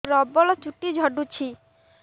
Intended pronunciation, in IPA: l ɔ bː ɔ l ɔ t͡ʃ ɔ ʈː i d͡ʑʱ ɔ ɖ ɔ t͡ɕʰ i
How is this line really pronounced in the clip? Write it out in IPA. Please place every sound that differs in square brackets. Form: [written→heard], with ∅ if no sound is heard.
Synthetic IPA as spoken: [l→ɾ] ɔ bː ɔ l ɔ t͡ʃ [ɔ→u] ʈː i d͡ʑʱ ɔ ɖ [ɔ→u] t͡ɕʰ i